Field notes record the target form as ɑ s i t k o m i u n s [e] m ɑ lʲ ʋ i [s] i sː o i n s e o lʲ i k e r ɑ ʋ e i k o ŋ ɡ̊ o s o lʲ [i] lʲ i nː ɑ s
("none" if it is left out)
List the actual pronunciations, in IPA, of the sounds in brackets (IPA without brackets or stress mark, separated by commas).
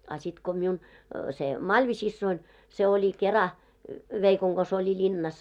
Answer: e, s, i